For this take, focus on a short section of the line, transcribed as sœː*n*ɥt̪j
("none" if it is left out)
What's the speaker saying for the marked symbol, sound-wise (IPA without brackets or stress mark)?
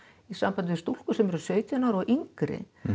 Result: none